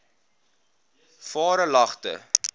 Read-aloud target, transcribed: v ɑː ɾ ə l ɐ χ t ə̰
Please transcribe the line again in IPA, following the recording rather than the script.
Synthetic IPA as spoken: f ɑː ɾ ə l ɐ χ t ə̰